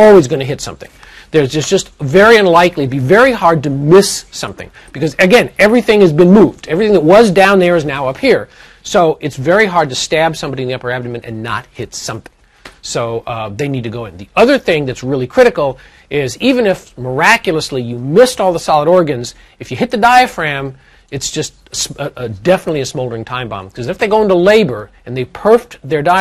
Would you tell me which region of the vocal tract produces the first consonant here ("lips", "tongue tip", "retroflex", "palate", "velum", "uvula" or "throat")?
tongue tip